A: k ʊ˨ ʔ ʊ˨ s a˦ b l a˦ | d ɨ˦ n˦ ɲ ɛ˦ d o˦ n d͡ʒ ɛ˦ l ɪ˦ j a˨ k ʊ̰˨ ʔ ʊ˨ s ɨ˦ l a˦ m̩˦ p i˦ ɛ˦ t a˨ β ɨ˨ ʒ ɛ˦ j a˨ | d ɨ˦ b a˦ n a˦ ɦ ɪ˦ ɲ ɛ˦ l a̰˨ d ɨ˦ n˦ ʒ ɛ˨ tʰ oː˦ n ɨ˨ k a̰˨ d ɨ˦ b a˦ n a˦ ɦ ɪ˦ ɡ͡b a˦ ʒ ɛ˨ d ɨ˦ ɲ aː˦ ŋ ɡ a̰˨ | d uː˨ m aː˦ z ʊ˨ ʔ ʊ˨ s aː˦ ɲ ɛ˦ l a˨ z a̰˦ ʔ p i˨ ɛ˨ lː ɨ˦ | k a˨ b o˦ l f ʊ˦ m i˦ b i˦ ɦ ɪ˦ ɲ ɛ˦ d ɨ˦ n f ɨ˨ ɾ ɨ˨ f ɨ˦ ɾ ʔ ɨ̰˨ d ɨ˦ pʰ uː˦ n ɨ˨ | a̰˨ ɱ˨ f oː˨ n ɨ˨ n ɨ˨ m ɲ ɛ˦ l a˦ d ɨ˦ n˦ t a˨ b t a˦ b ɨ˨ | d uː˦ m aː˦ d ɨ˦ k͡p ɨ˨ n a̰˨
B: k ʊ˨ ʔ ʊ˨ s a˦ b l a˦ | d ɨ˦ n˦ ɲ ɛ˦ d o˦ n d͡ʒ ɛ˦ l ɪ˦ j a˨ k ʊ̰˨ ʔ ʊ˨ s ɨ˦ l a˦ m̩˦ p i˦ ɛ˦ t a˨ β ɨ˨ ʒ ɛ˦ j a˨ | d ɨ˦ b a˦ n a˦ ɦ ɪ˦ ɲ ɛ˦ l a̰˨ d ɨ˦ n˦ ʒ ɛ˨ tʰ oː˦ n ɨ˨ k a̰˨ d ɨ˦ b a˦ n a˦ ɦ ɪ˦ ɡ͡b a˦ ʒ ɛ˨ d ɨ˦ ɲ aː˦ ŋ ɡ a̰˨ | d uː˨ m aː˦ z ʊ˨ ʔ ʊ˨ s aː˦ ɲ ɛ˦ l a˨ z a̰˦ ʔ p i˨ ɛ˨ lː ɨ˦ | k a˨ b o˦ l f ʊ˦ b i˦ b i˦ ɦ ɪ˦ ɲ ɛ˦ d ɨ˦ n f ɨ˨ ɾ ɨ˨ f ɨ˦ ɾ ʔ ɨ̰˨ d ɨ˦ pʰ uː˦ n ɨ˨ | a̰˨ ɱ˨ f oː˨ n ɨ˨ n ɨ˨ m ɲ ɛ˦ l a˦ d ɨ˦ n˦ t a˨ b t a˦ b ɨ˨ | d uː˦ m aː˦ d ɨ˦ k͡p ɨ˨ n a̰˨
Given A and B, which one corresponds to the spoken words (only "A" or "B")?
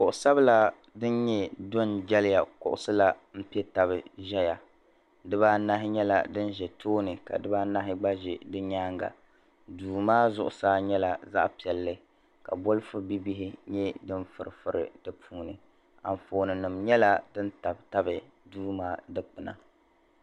B